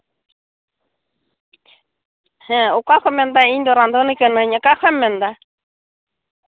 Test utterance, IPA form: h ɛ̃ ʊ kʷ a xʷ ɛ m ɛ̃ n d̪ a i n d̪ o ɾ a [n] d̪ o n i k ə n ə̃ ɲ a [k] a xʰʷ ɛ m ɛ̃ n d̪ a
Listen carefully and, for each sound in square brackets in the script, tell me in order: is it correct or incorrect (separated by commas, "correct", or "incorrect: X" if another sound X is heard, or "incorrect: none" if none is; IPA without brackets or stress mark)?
correct, correct